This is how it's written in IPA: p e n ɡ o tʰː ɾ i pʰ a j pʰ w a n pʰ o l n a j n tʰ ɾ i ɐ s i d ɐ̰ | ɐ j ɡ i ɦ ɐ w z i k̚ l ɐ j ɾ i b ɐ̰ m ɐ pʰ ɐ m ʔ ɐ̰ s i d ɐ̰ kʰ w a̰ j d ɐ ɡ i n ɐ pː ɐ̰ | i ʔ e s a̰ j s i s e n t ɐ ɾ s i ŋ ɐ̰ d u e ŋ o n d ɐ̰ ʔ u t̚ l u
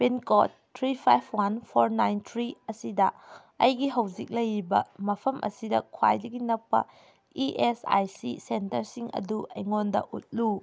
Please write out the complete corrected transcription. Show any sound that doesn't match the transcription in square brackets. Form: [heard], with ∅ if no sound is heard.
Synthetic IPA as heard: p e n [k] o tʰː ɾ i pʰ a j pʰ w a n pʰ o [ɾ] n a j n tʰ ɾ i ɐ s i d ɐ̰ | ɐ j ɡ i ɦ ɐ w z i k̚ l ɐ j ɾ i b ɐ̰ m ɐ pʰ ɐ m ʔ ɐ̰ s i d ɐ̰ kʰ w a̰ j d ɐ ɡ i n ɐ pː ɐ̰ | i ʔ e s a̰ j s i s e n t ɐ ɾ s i ŋ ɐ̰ d u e ŋ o n d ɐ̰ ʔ u t̚ l u